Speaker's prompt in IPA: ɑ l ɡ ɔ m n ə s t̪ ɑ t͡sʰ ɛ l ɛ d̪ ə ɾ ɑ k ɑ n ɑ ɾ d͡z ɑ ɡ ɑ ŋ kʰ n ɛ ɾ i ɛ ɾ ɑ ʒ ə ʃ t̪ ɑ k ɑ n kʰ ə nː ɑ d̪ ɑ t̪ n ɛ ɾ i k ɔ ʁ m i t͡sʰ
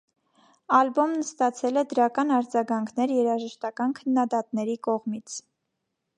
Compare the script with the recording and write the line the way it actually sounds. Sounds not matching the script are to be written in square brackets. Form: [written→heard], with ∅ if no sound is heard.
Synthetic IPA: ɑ l [ɡ→b] ɔ m n ə s t̪ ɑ t͡sʰ ɛ l ɛ d̪ ə ɾ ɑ k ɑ n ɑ ɾ d͡z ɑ ɡ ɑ ŋ kʰ n ɛ ɾ [i→j] ɛ ɾ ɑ ʒ ə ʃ t̪ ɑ k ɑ n kʰ ə nː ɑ d̪ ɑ t̪ n ɛ ɾ i k ɔ ʁ m i t͡sʰ